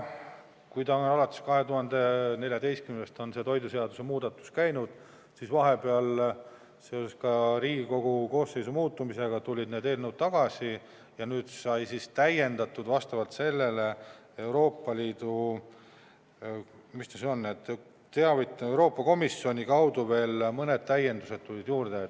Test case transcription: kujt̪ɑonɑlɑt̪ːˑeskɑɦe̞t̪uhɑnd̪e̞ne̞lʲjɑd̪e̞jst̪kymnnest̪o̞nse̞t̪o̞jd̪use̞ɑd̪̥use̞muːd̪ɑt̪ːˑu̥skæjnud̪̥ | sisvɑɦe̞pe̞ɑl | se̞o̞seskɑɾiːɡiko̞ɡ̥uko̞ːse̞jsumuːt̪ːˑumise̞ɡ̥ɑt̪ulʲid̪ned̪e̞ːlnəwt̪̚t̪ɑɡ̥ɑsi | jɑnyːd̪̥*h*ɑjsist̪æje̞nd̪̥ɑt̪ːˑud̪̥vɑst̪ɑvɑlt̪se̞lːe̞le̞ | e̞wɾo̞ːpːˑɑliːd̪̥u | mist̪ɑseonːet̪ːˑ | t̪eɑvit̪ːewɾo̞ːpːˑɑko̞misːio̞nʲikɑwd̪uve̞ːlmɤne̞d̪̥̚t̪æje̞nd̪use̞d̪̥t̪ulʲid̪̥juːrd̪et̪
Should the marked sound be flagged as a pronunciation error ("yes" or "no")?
yes